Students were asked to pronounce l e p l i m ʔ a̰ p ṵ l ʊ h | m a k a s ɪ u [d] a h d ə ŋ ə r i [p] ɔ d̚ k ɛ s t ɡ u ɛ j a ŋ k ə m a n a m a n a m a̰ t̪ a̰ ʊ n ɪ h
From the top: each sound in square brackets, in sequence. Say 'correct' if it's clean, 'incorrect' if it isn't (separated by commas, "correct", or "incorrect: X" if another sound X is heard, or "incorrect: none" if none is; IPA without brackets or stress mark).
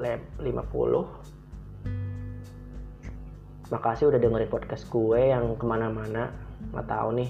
correct, correct